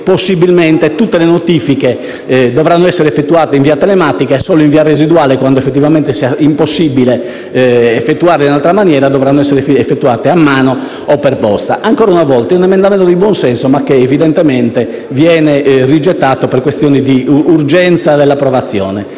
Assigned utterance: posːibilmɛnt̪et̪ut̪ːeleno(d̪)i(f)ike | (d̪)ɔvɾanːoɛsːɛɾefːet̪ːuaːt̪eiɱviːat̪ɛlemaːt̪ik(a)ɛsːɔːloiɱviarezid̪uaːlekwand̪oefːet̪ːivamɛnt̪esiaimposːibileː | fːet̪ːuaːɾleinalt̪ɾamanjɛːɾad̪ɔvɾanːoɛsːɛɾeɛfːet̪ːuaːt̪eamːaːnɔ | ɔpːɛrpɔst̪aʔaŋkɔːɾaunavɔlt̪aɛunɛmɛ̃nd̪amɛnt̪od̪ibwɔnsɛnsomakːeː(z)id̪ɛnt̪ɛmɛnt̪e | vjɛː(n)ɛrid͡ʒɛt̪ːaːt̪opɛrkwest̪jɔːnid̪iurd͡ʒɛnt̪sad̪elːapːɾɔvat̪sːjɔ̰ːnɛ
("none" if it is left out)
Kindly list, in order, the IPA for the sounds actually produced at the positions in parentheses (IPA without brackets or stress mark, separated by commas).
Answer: t̪, f, d̪, a, v, n